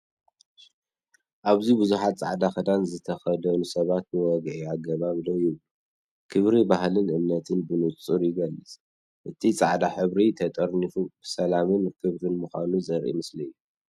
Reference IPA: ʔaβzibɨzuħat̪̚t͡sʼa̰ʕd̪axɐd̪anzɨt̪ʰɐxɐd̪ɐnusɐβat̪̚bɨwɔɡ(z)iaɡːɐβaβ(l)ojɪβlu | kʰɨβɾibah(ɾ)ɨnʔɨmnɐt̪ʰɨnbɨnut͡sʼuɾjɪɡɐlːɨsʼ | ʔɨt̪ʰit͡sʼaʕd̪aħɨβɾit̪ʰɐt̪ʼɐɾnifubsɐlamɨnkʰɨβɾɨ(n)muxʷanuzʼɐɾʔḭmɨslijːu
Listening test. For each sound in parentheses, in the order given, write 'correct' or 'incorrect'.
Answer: incorrect, correct, incorrect, correct

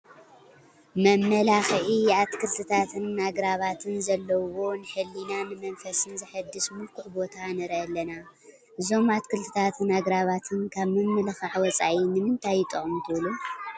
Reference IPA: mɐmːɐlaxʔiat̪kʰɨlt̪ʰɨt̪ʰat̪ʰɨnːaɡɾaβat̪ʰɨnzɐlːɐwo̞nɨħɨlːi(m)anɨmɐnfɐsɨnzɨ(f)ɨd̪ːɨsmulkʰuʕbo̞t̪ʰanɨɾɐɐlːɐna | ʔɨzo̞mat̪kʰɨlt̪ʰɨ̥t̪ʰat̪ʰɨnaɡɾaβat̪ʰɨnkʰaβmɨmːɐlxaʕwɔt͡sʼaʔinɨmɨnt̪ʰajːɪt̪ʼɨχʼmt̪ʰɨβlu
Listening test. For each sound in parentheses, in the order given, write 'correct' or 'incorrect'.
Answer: incorrect, incorrect

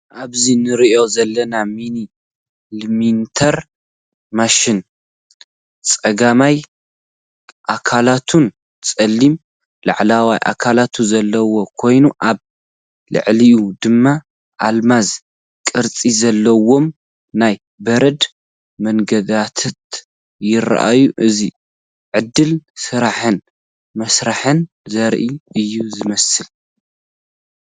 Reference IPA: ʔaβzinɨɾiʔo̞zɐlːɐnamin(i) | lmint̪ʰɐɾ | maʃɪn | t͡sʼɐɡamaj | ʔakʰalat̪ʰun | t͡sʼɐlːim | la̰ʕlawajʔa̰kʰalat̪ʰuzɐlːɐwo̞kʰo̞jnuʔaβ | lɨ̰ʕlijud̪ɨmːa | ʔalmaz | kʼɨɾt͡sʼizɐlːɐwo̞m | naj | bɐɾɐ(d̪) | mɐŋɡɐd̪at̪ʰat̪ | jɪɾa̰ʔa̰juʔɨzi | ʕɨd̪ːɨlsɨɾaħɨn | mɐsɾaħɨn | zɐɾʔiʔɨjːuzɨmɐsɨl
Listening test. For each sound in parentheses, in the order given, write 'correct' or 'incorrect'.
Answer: correct, correct

